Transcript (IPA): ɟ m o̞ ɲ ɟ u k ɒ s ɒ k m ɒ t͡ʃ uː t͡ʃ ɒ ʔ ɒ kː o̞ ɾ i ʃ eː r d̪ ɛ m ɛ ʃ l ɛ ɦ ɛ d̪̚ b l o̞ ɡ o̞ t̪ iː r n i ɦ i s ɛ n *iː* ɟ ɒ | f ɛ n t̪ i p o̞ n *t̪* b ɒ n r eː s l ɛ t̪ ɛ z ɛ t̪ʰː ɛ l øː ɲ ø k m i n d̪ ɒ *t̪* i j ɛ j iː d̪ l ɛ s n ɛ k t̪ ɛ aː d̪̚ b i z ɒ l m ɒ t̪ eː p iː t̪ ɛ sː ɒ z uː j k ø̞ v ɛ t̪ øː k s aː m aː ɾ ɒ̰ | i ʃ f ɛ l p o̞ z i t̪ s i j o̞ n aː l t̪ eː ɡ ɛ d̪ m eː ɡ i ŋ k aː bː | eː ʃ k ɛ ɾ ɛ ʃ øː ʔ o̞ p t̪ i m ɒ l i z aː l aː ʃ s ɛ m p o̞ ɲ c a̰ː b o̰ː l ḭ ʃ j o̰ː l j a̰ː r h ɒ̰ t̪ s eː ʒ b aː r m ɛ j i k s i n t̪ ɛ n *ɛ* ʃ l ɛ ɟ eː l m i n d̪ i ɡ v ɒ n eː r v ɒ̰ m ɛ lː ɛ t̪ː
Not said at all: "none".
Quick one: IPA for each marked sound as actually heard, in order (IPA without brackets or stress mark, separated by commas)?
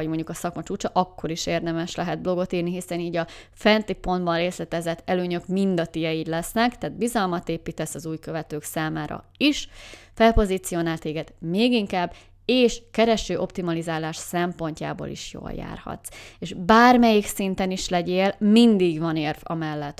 iː, d̪, t̪, i